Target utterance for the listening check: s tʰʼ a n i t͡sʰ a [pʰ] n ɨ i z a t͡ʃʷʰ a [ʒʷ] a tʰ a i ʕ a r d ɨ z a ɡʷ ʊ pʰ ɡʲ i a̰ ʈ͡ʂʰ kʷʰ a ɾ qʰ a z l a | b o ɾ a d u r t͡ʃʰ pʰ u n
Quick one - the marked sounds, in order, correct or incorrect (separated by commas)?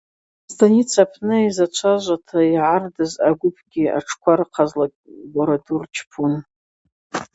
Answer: correct, correct